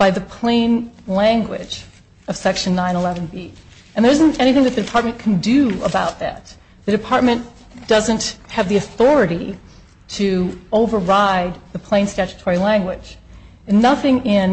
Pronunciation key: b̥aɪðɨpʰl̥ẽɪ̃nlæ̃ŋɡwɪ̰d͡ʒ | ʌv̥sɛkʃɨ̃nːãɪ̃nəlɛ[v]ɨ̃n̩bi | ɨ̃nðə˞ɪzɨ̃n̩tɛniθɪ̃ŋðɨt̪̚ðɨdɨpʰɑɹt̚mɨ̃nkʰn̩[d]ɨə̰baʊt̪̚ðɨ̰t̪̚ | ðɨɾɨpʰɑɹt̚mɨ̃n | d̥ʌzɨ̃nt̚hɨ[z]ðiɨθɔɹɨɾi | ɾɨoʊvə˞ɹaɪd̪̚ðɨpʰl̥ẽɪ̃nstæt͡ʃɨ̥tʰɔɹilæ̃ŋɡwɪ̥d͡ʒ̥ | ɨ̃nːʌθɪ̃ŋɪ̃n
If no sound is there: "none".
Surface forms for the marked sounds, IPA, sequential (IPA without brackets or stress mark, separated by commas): v, d, v